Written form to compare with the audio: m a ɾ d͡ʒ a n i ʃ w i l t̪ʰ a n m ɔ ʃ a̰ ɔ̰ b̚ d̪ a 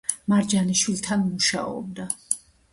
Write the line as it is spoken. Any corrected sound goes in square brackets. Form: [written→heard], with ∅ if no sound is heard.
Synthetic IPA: m a ɾ d͡ʒ a n i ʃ w i l t̪ʰ a n m [ɔ→u] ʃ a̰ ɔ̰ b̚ d̪ a

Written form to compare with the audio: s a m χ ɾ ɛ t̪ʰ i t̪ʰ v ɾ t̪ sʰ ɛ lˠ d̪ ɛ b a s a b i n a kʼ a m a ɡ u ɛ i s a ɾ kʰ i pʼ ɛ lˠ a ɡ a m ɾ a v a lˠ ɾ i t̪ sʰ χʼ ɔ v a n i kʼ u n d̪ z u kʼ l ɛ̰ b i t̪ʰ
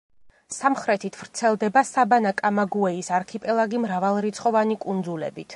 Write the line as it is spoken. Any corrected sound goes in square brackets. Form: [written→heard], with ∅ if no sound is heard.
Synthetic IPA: s a m χ ɾ ɛ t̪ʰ i t̪ʰ v ɾ t̪ sʰ ɛ lˠ d̪ ɛ b a s a b [i→a] n a kʼ a m a ɡ u ɛ i s a ɾ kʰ i pʼ ɛ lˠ a ɡ [a→i] m ɾ a v a lˠ ɾ i t̪ sʰ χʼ ɔ v a n i kʼ u n d̪ z u [kʼ→∅] l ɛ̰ b i t̪ʰ

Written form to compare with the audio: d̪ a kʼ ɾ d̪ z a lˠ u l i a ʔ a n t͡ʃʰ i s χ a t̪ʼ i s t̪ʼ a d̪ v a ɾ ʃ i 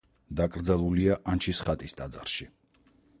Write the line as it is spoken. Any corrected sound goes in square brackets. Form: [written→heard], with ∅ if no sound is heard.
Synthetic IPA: d̪ a kʼ ɾ d̪ z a lˠ u l i a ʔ a n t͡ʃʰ i s χ a t̪ʼ i s t̪ʼ a d̪ [v→z] a ɾ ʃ i

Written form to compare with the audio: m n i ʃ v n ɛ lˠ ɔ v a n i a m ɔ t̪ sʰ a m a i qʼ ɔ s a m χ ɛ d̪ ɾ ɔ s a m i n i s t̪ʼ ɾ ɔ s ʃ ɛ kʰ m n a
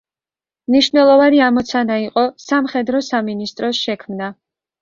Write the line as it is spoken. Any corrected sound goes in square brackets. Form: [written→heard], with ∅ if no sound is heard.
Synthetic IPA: m n i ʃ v n ɛ lˠ ɔ v a n i a m ɔ t̪ sʰ a [m→n] a i qʼ ɔ s a m χ ɛ d̪ ɾ ɔ s a m i n i s t̪ʼ ɾ ɔ s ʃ ɛ kʰ m n a

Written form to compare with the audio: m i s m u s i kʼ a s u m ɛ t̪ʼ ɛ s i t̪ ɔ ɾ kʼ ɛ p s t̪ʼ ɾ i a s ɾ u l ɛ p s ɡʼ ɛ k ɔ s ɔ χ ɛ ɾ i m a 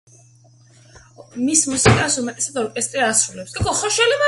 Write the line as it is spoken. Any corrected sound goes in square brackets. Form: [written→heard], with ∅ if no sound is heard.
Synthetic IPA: m i s m u s i kʼ a s u m ɛ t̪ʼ ɛ s [i→a] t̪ ɔ ɾ kʼ ɛ [p→∅] s t̪ʼ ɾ i a s ɾ u l ɛ p s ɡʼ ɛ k ɔ [s→χ] ɔ [χ→ʃ] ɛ [ɾ→l] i m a

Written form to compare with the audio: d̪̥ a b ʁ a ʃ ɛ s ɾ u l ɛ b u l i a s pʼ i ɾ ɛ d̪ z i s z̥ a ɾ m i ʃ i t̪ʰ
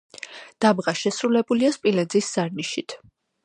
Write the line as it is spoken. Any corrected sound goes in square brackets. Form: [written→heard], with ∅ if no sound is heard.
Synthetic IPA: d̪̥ a b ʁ a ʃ ɛ s ɾ u l ɛ b u l i a s pʼ i [ɾ→l] ɛ d̪ z i s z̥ a ɾ [m→n] i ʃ i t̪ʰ

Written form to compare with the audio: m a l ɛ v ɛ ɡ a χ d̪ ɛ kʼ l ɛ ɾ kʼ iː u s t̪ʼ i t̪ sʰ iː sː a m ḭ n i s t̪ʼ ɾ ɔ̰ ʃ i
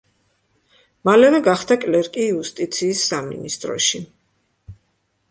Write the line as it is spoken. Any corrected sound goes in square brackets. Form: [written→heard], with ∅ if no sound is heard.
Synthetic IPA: m a l ɛ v ɛ ɡ a χ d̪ [ɛ→a] kʼ l ɛ ɾ kʼ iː u s t̪ʼ i t̪ sʰ iː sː a m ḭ n i s t̪ʼ ɾ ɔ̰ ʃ i

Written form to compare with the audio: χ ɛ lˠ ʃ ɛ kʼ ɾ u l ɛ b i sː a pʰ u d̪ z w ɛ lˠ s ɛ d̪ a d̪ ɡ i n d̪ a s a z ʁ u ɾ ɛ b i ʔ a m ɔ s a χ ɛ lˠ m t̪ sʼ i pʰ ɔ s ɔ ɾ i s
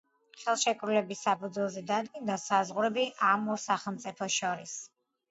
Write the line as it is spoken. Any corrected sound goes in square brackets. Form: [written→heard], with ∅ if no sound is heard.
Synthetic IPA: χ ɛ lˠ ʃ ɛ kʼ ɾ u l ɛ b i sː a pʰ u d̪ z w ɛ lˠ [s→z] ɛ d̪ a d̪ ɡ i n d̪ a s a z ʁ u ɾ ɛ b i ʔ a m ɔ s a χ ɛ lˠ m t̪ sʼ i pʰ ɔ [s→ʃ] ɔ ɾ i s

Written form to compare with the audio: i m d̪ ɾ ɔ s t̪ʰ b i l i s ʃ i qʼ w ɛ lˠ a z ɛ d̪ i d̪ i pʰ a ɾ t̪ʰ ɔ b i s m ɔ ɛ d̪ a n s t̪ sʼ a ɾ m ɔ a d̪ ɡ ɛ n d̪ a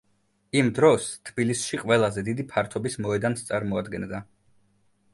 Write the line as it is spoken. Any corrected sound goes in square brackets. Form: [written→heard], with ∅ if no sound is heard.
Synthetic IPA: i m d̪ ɾ ɔ s t̪ʰ b i l i s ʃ i qʼ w ɛ lˠ a z ɛ d̪ i d̪ i pʰ a ɾ t̪ʰ ɔ b i s m ɔ ɛ d̪ a n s t̪ sʼ a ɾ m ɔ a d̪ ɡ ɛ n d̪ a

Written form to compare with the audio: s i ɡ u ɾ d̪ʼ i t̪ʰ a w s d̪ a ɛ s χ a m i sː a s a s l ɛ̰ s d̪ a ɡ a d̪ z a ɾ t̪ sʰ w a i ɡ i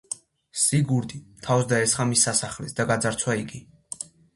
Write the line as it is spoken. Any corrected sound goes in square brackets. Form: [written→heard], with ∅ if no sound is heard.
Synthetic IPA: s i ɡ u ɾ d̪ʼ i t̪ʰ a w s d̪ a ɛ s χ a m i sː a s a [s→χ] l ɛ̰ s d̪ a ɡ a d̪ z a ɾ t̪ sʰ w a i ɡ i

